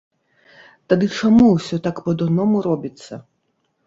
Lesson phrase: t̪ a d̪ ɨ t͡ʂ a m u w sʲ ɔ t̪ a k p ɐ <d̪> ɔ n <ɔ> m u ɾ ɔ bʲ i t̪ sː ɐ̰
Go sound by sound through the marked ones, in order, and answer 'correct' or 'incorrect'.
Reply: correct, correct

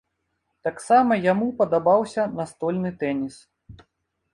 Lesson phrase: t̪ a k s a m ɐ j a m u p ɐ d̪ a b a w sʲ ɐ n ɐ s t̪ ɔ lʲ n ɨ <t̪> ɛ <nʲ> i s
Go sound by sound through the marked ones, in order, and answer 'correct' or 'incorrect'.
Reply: correct, correct

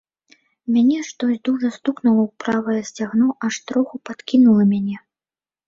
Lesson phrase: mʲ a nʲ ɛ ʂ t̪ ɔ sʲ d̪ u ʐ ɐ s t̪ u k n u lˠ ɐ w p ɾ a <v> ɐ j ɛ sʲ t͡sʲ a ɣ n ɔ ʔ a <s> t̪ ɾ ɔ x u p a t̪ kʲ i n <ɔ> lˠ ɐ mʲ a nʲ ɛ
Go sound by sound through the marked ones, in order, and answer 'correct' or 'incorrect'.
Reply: correct, incorrect, incorrect

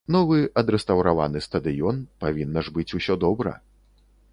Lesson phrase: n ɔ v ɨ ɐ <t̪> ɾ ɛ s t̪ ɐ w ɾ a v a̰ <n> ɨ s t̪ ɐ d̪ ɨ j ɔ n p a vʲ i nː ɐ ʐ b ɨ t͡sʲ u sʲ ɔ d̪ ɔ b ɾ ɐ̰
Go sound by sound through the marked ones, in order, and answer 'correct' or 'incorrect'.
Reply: incorrect, correct

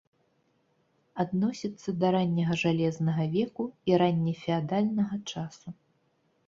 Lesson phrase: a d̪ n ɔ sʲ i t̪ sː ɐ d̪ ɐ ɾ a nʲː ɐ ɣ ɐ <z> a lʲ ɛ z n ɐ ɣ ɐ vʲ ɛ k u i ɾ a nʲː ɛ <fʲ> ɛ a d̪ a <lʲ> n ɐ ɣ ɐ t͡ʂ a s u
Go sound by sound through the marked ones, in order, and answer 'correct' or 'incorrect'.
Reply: incorrect, correct, correct

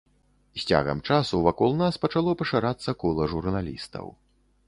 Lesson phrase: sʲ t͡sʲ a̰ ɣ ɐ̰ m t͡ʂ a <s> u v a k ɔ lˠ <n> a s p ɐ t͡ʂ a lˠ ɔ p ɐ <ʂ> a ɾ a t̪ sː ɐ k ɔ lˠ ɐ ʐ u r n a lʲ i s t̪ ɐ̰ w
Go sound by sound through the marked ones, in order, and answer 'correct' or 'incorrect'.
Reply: correct, correct, correct

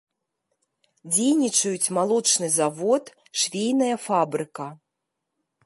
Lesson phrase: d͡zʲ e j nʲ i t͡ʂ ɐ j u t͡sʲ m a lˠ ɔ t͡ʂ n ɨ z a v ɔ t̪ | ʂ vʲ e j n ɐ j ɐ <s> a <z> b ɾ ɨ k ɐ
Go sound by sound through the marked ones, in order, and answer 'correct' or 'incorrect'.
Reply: incorrect, incorrect

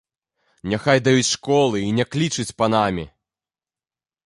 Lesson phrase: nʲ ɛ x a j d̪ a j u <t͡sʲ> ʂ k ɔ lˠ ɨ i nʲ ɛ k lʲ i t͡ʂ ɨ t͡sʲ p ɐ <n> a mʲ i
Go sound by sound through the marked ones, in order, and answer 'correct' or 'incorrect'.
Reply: correct, correct

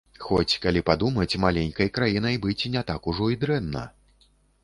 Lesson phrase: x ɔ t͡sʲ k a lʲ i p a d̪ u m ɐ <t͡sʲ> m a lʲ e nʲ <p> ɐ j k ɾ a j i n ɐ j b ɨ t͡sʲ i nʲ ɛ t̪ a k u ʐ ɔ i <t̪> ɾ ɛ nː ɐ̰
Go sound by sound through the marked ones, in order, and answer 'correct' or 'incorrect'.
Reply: correct, incorrect, incorrect

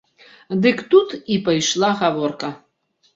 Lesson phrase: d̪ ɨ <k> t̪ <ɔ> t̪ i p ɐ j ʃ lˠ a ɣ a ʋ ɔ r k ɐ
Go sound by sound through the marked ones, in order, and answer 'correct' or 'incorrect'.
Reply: correct, incorrect

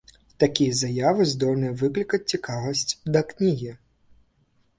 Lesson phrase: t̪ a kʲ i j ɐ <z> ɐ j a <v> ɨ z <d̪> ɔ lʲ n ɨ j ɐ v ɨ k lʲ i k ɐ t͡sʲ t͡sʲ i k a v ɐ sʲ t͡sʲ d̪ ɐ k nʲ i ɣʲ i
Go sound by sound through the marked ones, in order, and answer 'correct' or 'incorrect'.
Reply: correct, correct, correct

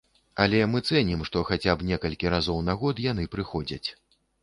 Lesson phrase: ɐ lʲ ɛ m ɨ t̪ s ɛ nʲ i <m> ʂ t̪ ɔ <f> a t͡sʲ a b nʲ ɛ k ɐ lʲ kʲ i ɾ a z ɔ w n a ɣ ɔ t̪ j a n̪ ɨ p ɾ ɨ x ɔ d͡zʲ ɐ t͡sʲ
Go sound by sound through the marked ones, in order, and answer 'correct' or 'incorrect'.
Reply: correct, incorrect

